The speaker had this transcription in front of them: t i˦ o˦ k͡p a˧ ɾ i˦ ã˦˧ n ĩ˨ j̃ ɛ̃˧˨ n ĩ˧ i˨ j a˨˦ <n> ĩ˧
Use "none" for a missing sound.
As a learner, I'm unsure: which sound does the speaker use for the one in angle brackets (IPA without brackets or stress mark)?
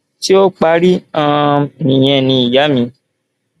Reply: m